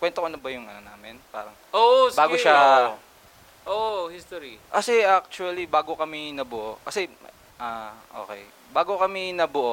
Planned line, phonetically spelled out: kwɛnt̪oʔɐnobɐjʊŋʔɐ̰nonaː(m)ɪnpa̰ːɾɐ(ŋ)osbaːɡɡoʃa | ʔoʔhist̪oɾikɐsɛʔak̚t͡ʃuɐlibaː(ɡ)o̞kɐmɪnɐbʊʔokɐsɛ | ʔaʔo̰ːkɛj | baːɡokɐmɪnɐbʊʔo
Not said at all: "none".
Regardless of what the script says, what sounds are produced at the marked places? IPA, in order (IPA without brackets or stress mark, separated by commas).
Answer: m, ŋ, ɡ